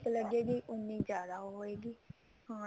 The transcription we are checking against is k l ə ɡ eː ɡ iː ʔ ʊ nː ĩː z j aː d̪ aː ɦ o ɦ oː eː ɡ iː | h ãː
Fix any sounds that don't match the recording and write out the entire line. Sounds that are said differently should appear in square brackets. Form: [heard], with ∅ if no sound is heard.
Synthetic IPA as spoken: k l ə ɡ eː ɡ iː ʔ ʊ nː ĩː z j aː d̪ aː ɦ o ɦ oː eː ɡ iː | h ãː

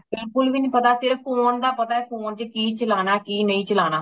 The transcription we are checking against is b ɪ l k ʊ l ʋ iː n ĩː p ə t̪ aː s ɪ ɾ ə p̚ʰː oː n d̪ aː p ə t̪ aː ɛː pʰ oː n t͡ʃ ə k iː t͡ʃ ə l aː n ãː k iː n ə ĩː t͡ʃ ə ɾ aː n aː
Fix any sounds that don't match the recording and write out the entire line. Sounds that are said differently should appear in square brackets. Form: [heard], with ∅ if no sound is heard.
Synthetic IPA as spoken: b ɪ l k ʊ l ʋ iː n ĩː p ə t̪ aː s ɪ ɾ ə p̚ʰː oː n d̪ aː p ə t̪ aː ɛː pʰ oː n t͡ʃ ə k iː t͡ʃ ə l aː n [aː] k iː n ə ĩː t͡ʃ ə [l] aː n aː

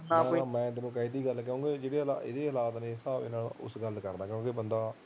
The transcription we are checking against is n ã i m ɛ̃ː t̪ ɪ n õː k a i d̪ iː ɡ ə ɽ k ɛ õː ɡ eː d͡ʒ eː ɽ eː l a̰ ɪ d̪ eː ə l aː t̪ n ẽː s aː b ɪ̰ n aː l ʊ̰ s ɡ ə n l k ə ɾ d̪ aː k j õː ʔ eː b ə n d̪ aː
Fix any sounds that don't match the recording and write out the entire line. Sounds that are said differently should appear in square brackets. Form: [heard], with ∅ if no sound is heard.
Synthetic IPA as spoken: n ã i m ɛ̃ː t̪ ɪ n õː k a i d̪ iː ɡ ə [l] k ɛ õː ɡ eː d͡ʒ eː ɽ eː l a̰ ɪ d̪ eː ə l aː t̪ n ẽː s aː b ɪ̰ n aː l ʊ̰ s ɡ ə [∅] l k ə ɾ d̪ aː k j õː [k] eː b ə n d̪ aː

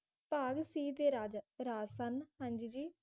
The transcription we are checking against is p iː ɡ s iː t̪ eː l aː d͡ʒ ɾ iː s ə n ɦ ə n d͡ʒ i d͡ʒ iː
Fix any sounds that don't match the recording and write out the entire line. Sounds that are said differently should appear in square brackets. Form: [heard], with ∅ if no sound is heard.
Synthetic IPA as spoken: p [aː] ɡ s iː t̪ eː [ɾ] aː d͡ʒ ɾ [aː] s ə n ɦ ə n d͡ʒ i d͡ʒ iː

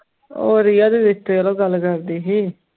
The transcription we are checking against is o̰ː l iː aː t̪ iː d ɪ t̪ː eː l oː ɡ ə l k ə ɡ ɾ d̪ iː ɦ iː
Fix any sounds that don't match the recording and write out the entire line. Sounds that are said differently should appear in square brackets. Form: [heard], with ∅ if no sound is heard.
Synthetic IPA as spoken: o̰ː [ɾ] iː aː [d̪] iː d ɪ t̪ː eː l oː ɡ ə l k ə [∅] ɾ d̪ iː ɦ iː

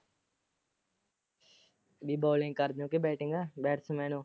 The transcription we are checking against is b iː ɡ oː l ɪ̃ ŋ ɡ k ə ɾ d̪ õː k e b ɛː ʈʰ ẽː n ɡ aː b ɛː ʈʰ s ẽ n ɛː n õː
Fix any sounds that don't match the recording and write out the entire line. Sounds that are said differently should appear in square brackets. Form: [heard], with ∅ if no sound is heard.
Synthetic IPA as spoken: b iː [b] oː l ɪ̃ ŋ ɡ k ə ɾ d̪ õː k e b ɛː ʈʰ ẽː [ŋ] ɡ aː b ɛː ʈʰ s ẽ [m] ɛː n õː

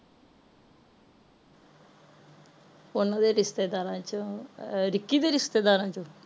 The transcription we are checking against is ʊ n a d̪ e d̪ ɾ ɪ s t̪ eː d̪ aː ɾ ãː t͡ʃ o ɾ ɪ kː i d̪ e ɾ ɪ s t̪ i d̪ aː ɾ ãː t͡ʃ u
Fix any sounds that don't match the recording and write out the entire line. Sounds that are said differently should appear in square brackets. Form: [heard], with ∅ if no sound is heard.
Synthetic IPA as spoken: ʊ n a d̪ e [∅] ɾ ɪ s t̪ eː d̪ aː ɾ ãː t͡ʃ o ɾ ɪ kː i d̪ e ɾ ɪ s t̪ [e] d̪ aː ɾ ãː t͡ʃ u

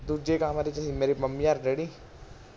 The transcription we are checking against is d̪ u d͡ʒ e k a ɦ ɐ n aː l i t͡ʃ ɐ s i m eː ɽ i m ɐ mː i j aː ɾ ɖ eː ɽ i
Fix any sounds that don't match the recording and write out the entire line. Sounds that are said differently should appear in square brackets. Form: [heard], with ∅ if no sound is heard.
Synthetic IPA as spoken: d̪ u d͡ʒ e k a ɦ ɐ [m] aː [ɾ] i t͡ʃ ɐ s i m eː [ɾ] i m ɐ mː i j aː ɾ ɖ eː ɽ i

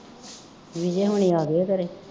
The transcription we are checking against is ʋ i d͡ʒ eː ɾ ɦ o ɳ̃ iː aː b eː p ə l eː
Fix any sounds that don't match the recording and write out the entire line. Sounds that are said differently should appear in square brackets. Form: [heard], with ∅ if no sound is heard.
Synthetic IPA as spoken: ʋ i d͡ʒ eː [∅] ɦ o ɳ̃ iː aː [ɡ] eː [k] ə [ɾ] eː

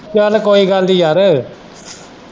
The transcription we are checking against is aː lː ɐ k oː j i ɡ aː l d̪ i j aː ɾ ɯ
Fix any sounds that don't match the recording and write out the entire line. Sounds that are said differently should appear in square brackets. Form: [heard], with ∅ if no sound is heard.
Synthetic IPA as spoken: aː [l] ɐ k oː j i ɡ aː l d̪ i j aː ɾ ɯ

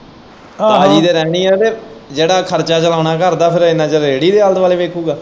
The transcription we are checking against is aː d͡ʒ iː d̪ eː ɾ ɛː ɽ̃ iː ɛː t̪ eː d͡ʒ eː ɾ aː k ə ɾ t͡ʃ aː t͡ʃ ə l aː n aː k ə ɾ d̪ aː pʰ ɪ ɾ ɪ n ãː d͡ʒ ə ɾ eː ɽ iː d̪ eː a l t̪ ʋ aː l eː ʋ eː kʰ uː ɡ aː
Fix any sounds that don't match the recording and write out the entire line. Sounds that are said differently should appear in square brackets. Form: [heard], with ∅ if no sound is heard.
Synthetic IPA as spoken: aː d͡ʒ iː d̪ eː ɾ ɛː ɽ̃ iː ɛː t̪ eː d͡ʒ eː [ɽ] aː [kʰ] ə ɾ t͡ʃ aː t͡ʃ ə l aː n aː k ə ɾ d̪ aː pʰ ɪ ɾ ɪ n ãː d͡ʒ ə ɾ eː ɽ iː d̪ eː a l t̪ ʋ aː l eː ʋ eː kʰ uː ɡ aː

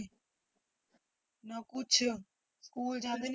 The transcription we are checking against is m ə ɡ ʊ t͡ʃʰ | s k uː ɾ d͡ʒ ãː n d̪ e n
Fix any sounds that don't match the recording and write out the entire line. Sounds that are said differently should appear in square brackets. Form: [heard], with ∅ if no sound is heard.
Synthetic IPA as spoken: [n] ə [k] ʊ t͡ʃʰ | s k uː [l] d͡ʒ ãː n d̪ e n

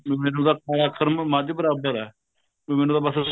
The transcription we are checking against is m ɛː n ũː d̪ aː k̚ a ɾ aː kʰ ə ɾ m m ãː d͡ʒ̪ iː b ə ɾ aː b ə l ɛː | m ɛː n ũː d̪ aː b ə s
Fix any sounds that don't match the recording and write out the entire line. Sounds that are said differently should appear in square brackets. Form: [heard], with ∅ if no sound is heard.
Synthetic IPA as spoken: m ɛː n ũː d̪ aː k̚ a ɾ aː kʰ ə ɾ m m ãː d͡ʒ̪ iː b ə ɾ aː b ə [ɾ] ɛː | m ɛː n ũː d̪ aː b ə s

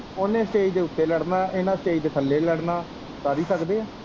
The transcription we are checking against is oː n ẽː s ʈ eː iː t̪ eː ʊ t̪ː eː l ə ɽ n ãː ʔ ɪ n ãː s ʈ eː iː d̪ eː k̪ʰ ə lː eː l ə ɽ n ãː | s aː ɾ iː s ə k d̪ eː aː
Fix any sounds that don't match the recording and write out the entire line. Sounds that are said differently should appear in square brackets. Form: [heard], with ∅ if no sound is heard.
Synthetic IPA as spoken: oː n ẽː s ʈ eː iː [d̪] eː ʊ t̪ː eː l ə ɽ n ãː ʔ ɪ n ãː s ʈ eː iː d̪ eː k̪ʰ ə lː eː l ə ɽ n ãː | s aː ɾ iː s ə k d̪ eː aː

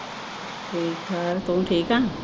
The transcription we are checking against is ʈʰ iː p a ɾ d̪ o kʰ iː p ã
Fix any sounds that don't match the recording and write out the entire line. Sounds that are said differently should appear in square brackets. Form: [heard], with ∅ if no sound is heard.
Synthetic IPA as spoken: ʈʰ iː [k] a ɾ [t̪] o [ʈʰ] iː [k] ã

